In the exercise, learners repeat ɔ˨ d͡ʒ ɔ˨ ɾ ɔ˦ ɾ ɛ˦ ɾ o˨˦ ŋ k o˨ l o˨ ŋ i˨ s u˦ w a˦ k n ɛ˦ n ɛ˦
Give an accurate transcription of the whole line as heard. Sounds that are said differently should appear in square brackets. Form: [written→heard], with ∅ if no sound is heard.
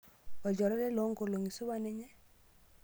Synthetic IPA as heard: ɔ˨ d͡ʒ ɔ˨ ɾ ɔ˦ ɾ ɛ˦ [ɾ→l] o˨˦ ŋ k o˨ l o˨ ŋ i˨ s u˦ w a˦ [k→∅] n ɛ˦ [n→ɲ] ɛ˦